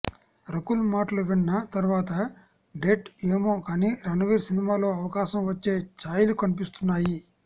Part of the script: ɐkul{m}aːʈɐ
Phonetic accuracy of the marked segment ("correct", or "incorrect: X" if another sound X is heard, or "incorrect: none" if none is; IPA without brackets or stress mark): correct